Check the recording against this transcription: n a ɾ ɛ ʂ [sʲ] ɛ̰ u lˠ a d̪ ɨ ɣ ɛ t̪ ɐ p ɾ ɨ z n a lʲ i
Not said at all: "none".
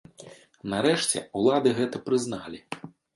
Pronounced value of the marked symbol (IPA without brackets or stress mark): t͡sʲ